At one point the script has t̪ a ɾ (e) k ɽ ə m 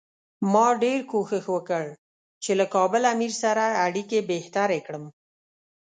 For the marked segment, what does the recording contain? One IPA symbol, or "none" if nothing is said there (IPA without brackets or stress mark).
e